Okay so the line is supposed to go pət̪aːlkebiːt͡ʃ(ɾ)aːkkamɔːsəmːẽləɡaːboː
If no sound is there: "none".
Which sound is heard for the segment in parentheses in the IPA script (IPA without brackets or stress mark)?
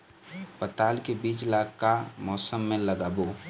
l